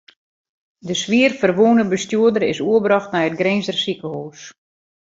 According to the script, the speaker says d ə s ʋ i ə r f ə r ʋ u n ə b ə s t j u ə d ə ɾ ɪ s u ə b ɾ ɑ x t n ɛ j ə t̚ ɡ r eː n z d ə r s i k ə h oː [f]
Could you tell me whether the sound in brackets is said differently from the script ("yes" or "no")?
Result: yes